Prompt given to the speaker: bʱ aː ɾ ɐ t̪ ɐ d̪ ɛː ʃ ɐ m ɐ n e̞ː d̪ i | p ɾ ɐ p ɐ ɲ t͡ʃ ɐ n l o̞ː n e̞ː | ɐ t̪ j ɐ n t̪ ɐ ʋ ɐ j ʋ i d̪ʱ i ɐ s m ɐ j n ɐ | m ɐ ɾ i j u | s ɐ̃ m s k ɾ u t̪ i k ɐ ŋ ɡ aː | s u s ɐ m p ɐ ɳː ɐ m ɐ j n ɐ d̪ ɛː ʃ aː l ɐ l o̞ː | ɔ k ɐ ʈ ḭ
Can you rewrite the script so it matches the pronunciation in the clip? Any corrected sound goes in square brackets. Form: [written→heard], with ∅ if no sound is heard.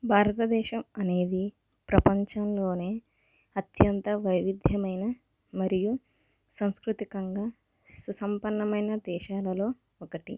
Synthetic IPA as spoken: bʱ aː ɾ ɐ t̪ ɐ d̪ ɛː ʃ ɐ m ɐ n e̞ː d̪ i | p ɾ ɐ p ɐ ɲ t͡ʃ ɐ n l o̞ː n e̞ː | ɐ t̪ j ɐ n t̪ ɐ ʋ ɐ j ʋ i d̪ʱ [i→j] ɐ [s→∅] m ɐ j n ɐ | m ɐ ɾ i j u | s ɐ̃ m s k ɾ u t̪ i k ɐ ŋ ɡ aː | s u s ɐ m p ɐ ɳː ɐ m ɐ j n ɐ d̪ ɛː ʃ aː l ɐ l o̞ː | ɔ k ɐ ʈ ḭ